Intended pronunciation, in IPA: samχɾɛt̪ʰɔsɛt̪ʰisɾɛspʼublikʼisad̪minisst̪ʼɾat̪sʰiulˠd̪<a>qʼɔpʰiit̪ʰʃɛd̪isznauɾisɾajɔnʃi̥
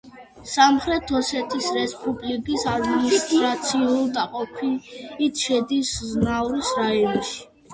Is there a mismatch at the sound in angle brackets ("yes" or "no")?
no